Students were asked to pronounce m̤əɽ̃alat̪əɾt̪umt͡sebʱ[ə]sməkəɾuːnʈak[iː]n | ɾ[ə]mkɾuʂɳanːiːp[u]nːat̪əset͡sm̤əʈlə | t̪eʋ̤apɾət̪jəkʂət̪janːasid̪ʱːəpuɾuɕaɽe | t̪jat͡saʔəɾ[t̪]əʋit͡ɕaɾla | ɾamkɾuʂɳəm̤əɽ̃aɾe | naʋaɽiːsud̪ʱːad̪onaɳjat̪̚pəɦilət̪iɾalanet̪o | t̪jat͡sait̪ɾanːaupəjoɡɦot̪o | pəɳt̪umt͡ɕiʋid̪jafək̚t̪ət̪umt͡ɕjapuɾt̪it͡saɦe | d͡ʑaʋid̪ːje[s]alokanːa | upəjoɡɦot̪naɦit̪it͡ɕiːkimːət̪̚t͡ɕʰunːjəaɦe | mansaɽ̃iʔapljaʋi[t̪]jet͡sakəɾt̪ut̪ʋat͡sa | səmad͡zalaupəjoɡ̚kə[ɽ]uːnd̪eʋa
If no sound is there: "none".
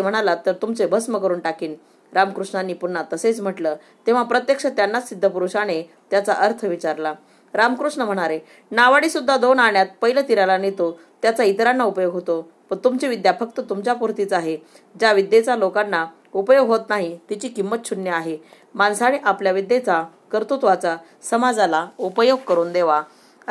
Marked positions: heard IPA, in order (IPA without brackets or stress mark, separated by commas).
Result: ə, iː, a, u, t̪ʰ, t͡s, d̪, ɾ